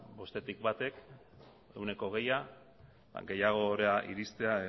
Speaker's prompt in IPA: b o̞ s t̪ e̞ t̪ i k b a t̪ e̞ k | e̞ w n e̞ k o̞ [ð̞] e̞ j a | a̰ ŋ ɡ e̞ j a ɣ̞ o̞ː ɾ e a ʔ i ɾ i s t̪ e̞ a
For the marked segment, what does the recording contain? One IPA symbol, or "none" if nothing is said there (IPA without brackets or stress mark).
ɣ̞